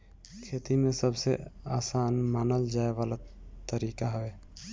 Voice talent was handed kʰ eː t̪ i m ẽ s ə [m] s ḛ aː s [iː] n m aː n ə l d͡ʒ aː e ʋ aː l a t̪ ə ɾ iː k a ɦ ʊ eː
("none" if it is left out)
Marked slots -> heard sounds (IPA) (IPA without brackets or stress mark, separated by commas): b, aː